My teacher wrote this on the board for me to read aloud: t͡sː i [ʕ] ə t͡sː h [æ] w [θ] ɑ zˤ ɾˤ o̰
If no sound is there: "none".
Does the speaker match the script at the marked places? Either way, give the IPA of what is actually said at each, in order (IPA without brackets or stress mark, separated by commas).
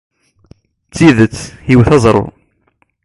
ð, i, θ